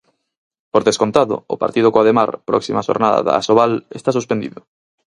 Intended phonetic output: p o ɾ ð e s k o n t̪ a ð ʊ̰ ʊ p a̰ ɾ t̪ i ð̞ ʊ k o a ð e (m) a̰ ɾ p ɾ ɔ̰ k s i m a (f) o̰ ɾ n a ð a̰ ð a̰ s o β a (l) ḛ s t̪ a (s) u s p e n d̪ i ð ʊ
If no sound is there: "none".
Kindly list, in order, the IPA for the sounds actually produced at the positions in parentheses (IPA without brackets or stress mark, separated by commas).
m, ʃ, l, s